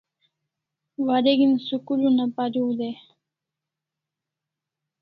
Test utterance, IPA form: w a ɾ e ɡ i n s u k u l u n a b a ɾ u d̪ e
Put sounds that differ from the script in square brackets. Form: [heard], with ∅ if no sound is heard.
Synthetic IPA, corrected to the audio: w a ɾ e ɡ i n s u k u l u n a [p] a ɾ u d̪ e